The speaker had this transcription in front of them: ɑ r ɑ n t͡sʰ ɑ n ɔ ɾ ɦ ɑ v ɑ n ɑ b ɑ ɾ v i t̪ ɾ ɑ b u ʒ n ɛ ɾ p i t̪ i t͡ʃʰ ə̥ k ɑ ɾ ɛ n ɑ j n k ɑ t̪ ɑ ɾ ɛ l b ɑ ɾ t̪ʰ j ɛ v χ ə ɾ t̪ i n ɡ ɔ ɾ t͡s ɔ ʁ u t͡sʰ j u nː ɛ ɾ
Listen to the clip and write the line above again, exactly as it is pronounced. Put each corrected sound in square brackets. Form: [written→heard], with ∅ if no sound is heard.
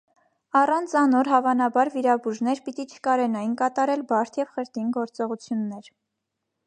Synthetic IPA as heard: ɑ r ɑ n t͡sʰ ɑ n ɔ ɾ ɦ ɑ v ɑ n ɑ b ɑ ɾ v i [t̪→∅] ɾ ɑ b u ʒ n ɛ ɾ p i t̪ i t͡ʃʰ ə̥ k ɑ ɾ ɛ n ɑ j n k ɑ t̪ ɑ ɾ ɛ l b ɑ ɾ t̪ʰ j ɛ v χ ə ɾ t̪ i n ɡ ɔ ɾ t͡s ɔ ʁ u t͡sʰ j u nː ɛ ɾ